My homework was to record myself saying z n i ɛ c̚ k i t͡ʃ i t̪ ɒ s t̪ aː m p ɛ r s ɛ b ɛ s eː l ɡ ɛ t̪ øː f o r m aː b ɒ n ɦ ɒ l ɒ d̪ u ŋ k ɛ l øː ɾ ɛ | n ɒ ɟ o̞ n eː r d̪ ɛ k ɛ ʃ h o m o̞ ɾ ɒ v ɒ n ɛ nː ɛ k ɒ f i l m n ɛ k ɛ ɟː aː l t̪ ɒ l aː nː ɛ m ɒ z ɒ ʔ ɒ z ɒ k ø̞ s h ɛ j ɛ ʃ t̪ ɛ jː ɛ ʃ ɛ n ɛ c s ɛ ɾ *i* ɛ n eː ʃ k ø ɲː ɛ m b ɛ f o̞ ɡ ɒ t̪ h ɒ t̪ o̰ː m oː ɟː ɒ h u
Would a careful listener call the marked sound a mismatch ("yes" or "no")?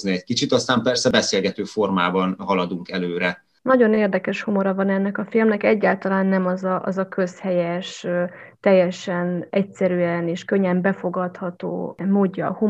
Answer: yes